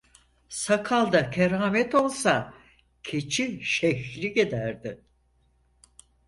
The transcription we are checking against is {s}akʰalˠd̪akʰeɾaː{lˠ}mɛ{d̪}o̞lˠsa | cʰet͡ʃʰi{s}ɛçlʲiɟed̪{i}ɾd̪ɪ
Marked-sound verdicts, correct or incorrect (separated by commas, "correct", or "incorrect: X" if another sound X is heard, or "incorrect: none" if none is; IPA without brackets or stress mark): correct, incorrect: none, incorrect: t̪, incorrect: ʃ, incorrect: æ